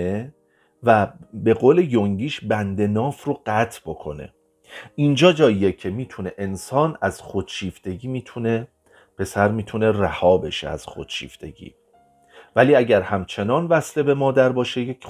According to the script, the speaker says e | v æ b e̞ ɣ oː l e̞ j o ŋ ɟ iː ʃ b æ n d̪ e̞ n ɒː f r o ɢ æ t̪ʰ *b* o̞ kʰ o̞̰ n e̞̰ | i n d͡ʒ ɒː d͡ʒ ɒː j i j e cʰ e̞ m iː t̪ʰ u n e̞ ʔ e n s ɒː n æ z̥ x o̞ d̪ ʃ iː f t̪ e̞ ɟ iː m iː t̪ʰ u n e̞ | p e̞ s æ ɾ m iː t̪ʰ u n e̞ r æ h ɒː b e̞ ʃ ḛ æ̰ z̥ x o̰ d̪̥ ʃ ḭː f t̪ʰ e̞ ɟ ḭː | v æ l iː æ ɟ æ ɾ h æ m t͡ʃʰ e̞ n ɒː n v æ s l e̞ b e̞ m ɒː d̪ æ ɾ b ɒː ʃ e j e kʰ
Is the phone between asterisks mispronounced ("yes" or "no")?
no